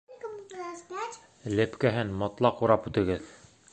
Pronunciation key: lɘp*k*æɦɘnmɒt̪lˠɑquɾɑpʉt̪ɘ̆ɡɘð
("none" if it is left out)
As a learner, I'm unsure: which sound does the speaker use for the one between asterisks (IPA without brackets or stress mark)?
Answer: k